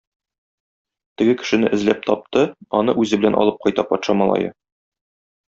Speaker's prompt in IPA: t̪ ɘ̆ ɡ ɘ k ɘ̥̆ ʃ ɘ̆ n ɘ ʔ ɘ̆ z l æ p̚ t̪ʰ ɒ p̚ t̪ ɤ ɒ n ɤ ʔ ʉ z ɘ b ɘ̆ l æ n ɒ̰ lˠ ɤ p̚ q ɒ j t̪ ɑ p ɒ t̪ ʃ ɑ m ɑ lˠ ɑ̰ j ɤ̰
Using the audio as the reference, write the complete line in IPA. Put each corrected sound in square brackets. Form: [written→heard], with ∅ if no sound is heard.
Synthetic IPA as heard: t̪ ɘ̆ ɡ ɘ k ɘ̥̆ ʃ ɘ̆ n ɘ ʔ ɘ̆ z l æ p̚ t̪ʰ ɒ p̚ t̪ ɤ ɒ n ɤ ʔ ʉ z ɘ b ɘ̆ l æ n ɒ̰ lˠ ɤ p̚ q ɒ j t̪ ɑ p ɒ t̪ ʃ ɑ m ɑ lˠ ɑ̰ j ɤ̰